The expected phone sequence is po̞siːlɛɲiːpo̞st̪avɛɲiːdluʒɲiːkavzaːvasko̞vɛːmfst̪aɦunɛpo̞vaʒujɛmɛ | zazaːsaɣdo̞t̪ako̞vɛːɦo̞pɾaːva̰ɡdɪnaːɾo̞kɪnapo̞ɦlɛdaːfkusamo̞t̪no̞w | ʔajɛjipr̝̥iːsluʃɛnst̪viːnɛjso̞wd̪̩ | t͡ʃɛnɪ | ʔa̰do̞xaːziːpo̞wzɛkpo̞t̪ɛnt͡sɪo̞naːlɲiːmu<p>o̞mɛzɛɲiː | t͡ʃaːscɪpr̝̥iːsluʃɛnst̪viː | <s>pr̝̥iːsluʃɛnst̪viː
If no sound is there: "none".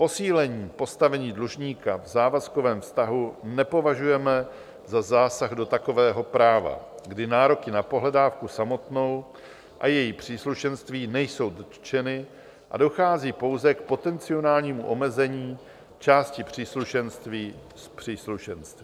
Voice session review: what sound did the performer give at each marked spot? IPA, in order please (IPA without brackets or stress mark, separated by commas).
ʔ, s